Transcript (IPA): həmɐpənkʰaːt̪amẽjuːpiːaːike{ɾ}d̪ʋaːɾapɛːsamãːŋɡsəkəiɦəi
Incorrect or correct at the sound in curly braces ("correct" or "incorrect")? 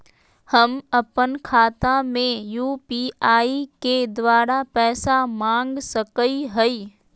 incorrect